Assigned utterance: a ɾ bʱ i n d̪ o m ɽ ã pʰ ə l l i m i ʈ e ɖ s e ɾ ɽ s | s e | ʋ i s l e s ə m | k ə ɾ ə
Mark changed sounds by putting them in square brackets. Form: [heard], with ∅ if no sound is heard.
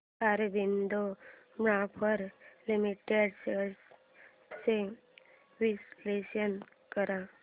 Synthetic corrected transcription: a ɾ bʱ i n d̪ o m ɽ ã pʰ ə [ɾ] l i m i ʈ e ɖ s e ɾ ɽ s | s e | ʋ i s l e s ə [n] | k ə ɾ [a]